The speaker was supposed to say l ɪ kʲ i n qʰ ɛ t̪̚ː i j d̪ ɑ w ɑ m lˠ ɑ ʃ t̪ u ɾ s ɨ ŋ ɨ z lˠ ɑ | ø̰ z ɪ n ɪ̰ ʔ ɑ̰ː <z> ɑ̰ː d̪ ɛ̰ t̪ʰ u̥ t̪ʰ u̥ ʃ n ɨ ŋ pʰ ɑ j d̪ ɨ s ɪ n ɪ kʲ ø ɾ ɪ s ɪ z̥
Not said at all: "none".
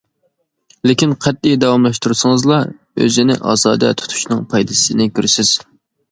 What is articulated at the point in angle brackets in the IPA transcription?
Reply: z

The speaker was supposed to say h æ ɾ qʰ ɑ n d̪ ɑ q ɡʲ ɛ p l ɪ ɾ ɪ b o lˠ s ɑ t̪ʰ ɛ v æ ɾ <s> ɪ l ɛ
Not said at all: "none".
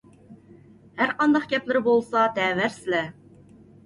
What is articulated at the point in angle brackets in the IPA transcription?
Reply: s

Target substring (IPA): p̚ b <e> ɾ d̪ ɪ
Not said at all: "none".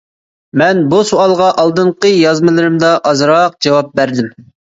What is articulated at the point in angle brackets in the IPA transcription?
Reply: æ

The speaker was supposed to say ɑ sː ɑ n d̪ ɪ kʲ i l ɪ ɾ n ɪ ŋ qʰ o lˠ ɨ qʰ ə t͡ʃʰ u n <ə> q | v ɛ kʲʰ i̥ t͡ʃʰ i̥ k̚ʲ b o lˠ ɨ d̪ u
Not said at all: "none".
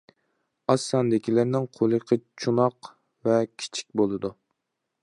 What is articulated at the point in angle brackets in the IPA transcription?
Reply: ɑ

